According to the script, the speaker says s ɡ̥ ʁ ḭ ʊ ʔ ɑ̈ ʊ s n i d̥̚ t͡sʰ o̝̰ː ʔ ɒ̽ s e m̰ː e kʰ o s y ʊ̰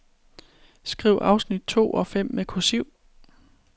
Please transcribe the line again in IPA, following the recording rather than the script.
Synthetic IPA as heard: s ɡ̥ ʁ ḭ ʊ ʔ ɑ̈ ʊ s n i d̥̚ t͡sʰ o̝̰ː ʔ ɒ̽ f e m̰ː e kʰ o s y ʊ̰